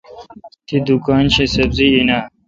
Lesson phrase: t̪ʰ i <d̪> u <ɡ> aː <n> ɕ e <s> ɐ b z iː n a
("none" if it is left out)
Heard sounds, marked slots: d̪, k, n, s

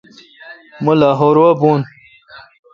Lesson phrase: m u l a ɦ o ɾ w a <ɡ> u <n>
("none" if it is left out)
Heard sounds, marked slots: b, n

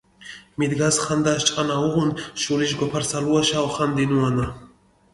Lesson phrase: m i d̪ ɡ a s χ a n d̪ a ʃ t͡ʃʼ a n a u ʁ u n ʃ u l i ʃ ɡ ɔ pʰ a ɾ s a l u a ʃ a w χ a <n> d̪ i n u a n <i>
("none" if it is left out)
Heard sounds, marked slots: n, a

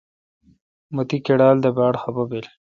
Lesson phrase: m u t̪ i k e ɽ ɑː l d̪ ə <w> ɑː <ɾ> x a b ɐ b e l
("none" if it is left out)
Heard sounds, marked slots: b, ɽ

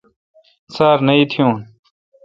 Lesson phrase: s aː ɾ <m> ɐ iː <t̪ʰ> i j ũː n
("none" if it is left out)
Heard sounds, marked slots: n, t̪ʰ

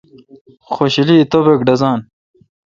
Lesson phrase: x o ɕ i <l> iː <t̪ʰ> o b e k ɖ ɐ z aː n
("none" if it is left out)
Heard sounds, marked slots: l, t̪

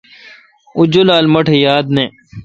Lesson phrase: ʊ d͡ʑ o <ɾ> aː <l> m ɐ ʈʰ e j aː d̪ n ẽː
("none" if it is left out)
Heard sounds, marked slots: l, l

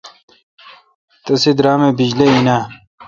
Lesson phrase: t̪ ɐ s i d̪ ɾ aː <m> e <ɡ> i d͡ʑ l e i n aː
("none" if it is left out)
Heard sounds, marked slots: m, b

